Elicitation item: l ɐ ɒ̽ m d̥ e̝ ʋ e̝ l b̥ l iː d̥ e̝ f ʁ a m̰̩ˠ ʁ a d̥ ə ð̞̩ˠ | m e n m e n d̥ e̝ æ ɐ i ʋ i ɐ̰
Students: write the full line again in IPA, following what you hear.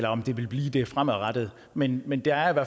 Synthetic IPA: l ɐ ɒ̽ m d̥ e̝ ʋ e̝ l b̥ l iː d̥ e̝ f ʁ a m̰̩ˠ ʁ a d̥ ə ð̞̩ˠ | m e n m e n d̥ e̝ æ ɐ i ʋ æ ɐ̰